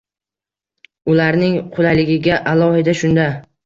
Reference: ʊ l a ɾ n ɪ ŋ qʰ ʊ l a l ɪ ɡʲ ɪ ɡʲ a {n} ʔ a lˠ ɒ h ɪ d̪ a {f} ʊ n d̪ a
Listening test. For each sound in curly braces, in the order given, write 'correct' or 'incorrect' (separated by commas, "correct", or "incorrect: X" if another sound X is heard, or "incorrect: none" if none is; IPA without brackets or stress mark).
incorrect: none, incorrect: ʃ